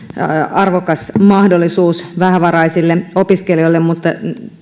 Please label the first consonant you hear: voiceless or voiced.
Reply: voiced